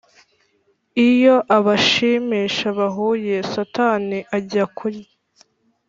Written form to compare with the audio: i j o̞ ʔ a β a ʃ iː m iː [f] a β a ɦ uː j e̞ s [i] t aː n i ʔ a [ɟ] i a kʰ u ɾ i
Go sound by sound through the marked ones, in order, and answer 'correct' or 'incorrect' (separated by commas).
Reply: incorrect, incorrect, correct